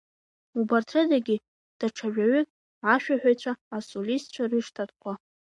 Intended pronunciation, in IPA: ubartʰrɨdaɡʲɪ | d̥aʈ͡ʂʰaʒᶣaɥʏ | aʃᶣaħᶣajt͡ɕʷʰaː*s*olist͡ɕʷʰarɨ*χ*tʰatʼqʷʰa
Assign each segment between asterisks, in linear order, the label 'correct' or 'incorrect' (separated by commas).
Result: correct, incorrect